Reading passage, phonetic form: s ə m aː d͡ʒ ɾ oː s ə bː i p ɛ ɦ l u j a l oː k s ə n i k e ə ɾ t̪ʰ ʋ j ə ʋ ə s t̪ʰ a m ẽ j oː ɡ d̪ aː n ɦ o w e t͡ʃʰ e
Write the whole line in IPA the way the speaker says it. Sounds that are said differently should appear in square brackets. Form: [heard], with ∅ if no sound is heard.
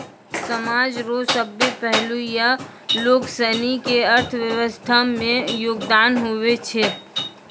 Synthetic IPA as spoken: s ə m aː d͡ʒ ɾ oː s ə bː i p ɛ ɦ l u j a l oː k s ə n i k e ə ɾ t̪ʰ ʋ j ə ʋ ə s t̪ʰ a m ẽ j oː ɡ d̪ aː n ɦ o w e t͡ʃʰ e

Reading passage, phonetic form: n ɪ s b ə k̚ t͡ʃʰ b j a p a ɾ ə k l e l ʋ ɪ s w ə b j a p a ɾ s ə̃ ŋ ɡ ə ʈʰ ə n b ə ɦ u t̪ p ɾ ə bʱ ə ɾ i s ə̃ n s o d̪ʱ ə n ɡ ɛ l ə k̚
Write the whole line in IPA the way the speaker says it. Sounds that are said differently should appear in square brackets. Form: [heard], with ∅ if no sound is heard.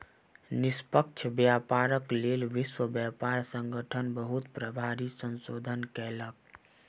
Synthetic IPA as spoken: n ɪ s [p] ə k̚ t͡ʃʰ b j a p a ɾ ə k l e l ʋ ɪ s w ə b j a p a ɾ s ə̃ ŋ ɡ ə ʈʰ ə n b ə ɦ u t̪ p ɾ ə bʱ [a] ɾ i s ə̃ n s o d̪ʱ ə n [k] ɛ l ə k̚

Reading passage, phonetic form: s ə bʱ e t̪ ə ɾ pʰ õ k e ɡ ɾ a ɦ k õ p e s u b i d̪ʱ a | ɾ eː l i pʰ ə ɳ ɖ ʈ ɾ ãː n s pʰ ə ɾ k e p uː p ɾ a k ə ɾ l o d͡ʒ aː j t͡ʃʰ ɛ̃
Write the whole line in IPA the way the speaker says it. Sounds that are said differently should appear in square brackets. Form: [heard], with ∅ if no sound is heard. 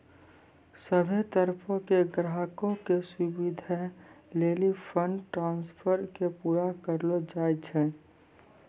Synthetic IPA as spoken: s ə bʱ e t̪ ə ɾ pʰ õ k e ɡ ɾ a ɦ k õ [k] e s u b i d̪ʱ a | [l] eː l i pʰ ə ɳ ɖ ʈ ɾ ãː n s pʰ ə ɾ k e p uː [∅] ɾ a k ə ɾ l o d͡ʒ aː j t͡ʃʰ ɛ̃

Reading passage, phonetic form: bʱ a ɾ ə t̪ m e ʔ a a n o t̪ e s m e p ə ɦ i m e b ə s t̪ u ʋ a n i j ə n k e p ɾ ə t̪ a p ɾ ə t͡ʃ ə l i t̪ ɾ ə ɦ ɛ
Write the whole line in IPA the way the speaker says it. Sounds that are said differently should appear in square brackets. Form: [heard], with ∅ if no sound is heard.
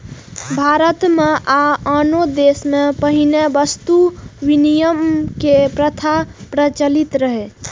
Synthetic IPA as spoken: bʱ a ɾ ə t̪ m e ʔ a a n o [d̪] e s m e p ə ɦ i [n] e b ə s t̪ u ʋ [i] n i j ə [m] k e p ɾ ə [t̪ʰ] a p ɾ ə t͡ʃ ə l i t̪ ɾ ə ɦ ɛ

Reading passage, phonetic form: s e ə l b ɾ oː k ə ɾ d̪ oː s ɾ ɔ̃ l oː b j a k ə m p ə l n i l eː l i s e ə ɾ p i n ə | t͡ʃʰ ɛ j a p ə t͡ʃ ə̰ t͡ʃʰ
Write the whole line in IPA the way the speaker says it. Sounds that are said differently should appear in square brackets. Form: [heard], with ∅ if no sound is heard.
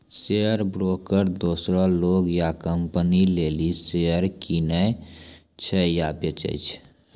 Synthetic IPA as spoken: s e ə [ɾ] b ɾ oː k ə ɾ d̪ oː s ɾ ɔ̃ l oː [ɡ] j a k ə m p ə [∅] n i l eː l i s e ə ɾ [k] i n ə | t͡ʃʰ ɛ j a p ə t͡ʃ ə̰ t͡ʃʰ

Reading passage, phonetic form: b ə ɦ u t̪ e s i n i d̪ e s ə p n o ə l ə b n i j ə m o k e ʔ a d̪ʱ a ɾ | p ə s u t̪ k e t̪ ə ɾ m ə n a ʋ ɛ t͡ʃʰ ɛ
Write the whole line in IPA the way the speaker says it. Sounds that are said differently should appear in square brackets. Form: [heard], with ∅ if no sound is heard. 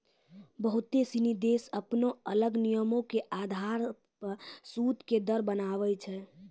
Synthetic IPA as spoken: b ə ɦ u t̪ e s i n i d̪ e s ə p n o ə l ə [ɡ] n i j ə m o k e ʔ a d̪ʱ a ɾ | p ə s u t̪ k e [d̪] ə ɾ [b] ə n a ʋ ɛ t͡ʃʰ ɛ

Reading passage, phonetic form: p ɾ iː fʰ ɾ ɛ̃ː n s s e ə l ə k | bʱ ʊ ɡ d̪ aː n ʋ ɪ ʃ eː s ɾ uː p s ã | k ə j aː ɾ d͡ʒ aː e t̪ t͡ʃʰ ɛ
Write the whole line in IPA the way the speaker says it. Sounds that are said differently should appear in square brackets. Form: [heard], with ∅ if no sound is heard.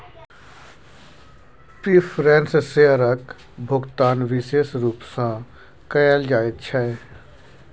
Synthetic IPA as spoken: p ɾ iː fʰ ɾ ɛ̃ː n s s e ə [ɾ] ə k | bʱ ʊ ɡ [t̪] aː n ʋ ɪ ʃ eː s ɾ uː p s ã | k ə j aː [l] d͡ʒ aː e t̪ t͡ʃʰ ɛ

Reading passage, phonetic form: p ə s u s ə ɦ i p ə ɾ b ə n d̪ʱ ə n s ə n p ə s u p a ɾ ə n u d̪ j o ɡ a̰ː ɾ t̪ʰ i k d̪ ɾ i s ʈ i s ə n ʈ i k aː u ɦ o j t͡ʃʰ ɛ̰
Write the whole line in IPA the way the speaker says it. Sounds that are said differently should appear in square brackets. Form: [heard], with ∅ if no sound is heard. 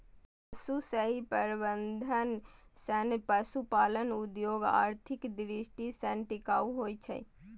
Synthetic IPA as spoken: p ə s u s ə ɦ i p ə ɾ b ə n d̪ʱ ə n s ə n p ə s u p a [l] ə n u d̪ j o ɡ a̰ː ɾ t̪ʰ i k d̪ ɾ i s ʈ i s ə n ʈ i k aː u ɦ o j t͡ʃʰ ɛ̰

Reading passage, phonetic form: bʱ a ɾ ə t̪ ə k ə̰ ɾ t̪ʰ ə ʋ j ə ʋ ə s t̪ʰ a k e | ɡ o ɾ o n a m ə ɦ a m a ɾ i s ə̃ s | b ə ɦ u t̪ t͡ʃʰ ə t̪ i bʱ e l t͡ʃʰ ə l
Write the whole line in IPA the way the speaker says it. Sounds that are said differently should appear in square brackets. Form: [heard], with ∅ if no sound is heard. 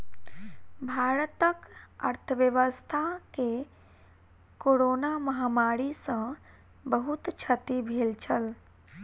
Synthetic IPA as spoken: bʱ a ɾ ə t̪ ə k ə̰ ɾ t̪ʰ ə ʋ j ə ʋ ə s t̪ʰ a k e | [k] o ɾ o n a m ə ɦ a m a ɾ i s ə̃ [∅] | b ə ɦ u t̪ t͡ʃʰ ə t̪ i bʱ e l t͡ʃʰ ə l

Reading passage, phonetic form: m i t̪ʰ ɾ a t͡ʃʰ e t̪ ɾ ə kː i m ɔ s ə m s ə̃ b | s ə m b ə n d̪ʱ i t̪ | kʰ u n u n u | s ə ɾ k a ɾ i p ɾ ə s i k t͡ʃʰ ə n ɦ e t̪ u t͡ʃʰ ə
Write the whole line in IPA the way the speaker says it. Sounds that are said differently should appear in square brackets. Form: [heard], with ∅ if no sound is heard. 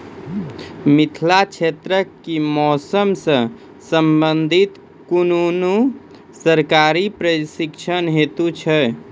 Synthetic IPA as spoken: m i t̪ʰ [l] a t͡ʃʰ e t̪ ɾ ə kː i m ɔ s ə m s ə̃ [∅] | s ə m b ə n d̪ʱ i t̪ | [k] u n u n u | s ə ɾ k a ɾ i p ɾ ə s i k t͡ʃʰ ə n ɦ e t̪ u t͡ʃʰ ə

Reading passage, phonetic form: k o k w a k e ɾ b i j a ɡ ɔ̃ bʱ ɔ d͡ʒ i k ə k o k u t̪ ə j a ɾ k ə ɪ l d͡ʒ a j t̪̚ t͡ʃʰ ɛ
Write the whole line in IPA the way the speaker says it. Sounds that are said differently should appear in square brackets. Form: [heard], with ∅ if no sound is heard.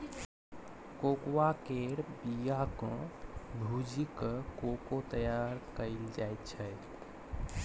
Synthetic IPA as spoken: k o k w a k e ɾ b i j a [k] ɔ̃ bʱ [u] d͡ʒ i k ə k o k [o] t̪ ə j a ɾ k ə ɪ l d͡ʒ a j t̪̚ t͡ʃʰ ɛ

